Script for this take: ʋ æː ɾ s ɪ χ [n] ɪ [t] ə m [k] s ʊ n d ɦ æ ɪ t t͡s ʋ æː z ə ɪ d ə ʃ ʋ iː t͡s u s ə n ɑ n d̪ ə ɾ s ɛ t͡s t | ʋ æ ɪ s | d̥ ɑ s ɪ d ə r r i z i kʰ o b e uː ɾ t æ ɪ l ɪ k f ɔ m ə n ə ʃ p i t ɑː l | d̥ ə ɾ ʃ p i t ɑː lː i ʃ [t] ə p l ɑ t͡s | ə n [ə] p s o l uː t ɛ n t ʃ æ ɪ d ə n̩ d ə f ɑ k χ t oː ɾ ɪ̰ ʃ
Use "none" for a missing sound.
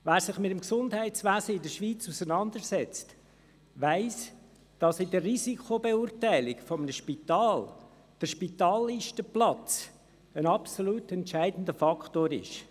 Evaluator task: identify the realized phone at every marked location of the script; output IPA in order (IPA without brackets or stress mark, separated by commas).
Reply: m, t, k, t, ɑ